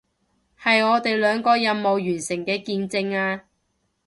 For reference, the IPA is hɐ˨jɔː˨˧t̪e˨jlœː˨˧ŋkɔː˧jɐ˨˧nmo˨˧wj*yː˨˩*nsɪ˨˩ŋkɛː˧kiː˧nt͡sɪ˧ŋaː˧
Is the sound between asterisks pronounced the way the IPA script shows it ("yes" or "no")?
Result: yes